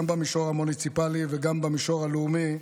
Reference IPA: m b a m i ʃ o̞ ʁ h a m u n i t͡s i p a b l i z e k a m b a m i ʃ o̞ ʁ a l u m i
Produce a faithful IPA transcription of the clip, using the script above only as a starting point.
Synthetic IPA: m b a m i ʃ o̞ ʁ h a m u n i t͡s i p a l i v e ɡ a m b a m i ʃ o̞ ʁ a l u m i